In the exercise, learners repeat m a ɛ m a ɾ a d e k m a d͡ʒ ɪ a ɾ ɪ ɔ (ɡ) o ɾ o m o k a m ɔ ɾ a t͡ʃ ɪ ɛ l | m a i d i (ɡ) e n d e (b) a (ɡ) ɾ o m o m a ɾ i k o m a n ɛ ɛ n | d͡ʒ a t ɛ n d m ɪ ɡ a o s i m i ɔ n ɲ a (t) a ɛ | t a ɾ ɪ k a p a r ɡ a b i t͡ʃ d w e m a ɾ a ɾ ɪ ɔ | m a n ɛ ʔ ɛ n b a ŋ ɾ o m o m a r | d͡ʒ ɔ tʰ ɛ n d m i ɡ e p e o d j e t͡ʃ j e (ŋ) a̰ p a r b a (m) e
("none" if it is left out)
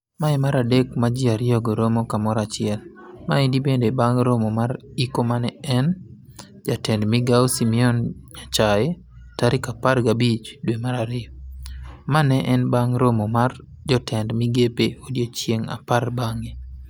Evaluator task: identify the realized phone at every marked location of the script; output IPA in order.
ɡ, b, b, ŋ, t͡ʃ, ŋ, ŋ

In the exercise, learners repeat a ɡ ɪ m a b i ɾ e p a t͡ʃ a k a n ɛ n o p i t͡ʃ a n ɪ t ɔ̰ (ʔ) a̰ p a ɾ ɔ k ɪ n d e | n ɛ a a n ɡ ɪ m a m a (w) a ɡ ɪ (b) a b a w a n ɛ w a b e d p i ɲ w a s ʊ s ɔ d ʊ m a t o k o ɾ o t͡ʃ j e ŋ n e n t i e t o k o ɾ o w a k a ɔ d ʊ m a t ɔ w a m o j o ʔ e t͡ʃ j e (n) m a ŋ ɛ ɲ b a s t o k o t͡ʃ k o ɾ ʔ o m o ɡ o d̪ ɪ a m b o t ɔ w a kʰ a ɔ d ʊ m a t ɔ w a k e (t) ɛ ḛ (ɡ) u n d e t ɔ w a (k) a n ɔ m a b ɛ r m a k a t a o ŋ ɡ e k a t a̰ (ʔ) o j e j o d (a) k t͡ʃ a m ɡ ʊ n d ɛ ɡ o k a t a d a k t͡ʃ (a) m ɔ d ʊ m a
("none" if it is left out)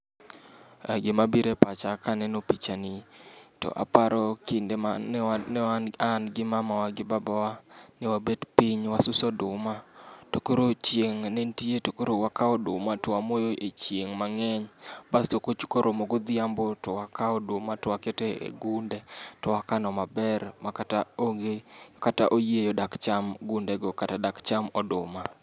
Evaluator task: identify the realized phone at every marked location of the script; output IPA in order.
ʔ, w, b, ŋ, t, ɡ, k, ʔ, a, a

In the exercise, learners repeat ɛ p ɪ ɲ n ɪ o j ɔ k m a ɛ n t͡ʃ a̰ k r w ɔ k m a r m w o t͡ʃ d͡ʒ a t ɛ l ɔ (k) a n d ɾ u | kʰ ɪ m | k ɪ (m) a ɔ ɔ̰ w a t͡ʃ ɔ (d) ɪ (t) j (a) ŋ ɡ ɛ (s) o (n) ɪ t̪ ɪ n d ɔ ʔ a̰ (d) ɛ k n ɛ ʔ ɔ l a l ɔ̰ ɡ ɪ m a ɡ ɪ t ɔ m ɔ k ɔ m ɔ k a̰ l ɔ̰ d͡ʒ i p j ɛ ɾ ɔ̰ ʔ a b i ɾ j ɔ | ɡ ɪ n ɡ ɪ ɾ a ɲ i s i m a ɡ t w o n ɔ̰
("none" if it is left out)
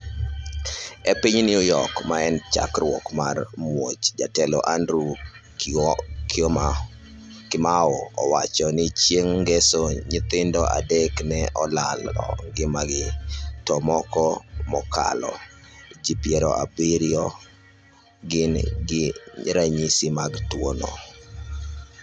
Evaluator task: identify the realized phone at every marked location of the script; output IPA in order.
ʔ, m, n, t͡ʃ, e, s, ɲ, d

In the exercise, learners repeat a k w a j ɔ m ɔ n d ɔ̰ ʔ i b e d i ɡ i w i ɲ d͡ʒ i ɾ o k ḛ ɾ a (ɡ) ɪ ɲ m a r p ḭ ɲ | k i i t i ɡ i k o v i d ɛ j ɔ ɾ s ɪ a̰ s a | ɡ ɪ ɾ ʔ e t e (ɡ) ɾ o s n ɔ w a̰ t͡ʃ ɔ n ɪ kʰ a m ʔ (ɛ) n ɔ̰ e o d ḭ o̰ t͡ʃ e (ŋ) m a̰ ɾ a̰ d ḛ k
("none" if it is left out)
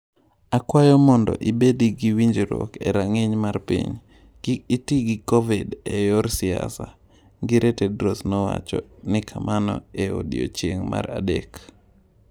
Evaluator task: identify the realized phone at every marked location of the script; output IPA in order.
ŋ, d, a, ŋ

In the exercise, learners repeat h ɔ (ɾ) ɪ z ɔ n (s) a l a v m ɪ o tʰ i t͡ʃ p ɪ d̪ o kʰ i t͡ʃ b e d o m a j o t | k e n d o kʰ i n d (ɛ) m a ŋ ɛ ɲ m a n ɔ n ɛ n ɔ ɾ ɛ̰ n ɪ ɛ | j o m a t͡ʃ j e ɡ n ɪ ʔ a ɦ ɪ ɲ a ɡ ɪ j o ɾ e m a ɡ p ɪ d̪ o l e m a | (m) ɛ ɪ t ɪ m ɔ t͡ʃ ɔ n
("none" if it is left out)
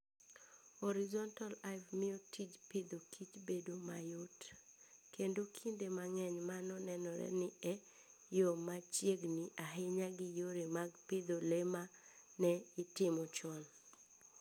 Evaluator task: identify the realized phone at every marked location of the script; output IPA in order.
ɾ, t, e, n

